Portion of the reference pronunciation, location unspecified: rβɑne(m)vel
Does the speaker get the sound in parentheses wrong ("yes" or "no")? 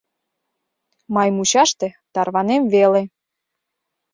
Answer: no